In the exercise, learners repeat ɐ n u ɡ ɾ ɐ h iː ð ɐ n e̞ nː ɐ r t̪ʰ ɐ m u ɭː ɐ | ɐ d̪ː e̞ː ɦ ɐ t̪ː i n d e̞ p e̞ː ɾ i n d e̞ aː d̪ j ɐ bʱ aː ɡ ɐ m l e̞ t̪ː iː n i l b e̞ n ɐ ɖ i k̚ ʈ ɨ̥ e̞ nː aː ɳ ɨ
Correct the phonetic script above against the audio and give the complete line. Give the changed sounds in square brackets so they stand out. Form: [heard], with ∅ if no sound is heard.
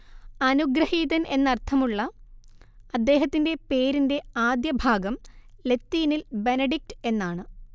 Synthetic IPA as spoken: ɐ n u ɡ ɾ ɐ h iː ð ɐ n e̞ nː ɐ r t̪ʰ ɐ m u ɭː ɐ | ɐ d̪ː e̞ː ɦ ɐ t̪ː i n d e̞ p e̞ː ɾ i n d e̞ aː d̪ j ɐ bʱ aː ɡ ɐ m l e̞ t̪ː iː n i l b e̞ n ɐ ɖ i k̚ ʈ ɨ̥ e̞ nː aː ɳ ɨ